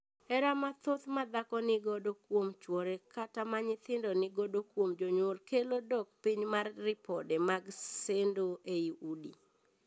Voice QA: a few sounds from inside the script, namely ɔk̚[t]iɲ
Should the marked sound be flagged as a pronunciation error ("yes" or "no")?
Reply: yes